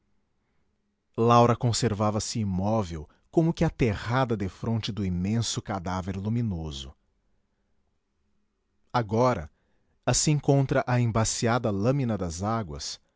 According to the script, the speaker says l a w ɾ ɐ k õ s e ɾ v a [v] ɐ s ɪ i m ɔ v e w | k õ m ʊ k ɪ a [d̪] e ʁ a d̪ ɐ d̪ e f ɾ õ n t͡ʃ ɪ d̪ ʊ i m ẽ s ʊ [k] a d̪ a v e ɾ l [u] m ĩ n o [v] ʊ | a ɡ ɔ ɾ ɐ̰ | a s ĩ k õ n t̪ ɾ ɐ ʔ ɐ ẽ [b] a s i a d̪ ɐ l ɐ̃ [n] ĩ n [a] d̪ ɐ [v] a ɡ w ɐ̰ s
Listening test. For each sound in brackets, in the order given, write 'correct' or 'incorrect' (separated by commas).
correct, incorrect, correct, correct, incorrect, correct, incorrect, incorrect, incorrect